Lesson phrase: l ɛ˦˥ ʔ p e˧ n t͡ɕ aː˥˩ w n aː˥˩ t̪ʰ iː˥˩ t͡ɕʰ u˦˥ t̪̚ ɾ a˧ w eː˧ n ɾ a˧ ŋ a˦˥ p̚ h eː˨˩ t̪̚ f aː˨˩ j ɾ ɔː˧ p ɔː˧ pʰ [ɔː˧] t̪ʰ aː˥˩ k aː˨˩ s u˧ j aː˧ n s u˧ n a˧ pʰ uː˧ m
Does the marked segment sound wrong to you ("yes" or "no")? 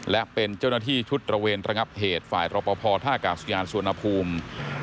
no